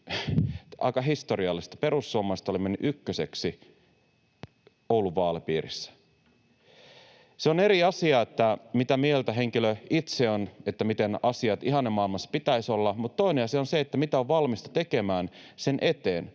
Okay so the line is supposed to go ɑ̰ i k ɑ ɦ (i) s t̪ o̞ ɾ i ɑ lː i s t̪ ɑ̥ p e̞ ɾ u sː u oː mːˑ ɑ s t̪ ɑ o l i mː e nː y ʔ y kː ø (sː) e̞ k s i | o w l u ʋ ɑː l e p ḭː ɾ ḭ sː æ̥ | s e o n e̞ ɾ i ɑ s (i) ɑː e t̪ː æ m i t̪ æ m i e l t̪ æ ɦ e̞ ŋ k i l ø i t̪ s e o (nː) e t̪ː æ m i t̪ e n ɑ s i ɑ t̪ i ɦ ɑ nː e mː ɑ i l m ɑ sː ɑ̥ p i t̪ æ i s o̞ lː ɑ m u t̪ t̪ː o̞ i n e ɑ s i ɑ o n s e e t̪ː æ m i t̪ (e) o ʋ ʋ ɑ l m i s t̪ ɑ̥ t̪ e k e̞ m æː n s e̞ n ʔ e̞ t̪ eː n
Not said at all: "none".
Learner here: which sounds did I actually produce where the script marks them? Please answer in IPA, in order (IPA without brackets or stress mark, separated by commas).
i, s, i, n, æ